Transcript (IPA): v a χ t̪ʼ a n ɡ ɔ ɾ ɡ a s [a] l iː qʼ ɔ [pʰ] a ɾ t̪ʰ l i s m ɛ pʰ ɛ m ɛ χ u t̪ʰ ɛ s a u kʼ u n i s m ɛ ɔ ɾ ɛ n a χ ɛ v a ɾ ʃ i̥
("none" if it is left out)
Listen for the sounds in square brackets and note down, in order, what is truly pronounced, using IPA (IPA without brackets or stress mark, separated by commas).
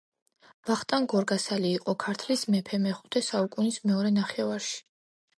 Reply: a, kʰ